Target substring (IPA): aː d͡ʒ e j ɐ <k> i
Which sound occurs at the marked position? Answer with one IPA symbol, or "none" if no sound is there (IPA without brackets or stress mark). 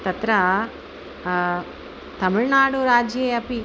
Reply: p